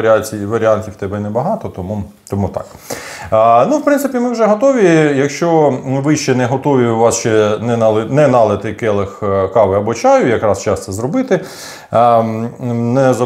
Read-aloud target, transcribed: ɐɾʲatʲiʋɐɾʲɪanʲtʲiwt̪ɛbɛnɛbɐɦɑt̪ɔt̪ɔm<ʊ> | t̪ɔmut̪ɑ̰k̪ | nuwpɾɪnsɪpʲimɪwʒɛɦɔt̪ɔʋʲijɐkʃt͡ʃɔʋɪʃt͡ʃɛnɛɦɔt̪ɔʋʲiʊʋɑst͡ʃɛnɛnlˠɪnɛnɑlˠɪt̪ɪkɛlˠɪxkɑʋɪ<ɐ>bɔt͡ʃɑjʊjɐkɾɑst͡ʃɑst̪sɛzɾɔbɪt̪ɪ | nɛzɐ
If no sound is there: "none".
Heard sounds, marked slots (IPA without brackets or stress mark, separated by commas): u, ɐ